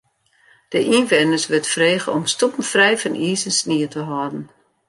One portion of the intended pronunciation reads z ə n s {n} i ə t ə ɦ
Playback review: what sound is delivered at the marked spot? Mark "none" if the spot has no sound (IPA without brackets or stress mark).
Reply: n